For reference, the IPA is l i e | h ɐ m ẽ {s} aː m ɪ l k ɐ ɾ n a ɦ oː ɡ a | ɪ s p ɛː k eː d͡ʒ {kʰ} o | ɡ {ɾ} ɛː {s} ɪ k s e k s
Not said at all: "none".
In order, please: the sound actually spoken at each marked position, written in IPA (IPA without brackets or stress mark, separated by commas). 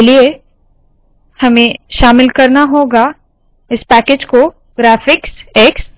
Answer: ʃ, k, ɾ, f